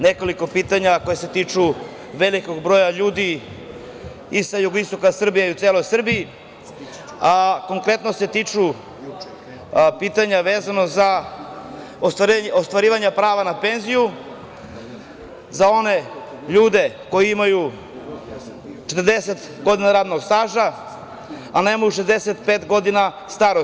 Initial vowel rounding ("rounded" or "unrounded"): unrounded